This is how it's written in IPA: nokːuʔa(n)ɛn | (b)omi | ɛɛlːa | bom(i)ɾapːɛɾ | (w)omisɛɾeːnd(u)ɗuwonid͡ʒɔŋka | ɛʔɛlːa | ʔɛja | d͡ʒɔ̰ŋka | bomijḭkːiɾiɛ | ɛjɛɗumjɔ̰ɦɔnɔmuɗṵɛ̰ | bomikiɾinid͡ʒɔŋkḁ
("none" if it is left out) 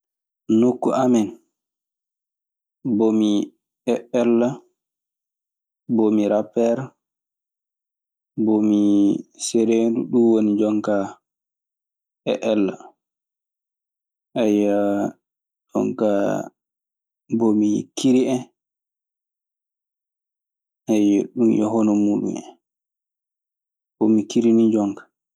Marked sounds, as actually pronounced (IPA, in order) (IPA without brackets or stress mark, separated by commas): m, b, i, b, u